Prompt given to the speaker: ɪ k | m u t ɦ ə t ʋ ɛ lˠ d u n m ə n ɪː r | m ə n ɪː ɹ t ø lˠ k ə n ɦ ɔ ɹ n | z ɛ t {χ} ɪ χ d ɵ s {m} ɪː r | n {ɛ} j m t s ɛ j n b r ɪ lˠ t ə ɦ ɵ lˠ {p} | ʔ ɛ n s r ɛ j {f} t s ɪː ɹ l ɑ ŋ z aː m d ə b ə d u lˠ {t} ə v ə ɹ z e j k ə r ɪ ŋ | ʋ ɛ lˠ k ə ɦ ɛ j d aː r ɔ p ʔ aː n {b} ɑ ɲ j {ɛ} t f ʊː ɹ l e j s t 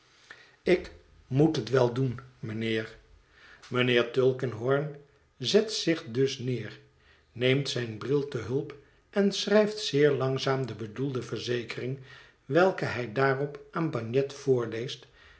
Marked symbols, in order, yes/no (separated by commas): no, no, no, yes, yes, no, yes, yes